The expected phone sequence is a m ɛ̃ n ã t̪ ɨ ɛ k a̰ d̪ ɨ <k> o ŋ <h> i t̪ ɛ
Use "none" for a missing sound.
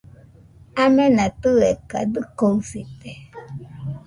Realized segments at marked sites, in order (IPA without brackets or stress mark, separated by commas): k, s